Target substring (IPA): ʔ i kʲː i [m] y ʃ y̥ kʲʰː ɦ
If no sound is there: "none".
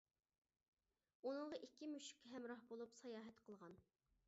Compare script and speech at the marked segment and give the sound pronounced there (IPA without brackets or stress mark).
m